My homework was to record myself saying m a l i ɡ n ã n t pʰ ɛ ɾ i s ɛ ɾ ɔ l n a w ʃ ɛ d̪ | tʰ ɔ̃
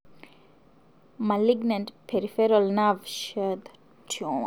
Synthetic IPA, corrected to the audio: m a l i ɡ n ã n t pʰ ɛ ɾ i f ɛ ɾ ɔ l n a v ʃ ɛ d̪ | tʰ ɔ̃